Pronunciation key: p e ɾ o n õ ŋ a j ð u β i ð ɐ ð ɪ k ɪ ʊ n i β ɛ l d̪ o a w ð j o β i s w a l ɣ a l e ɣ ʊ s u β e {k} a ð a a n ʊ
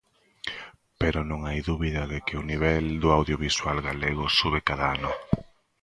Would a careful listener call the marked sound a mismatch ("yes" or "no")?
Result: no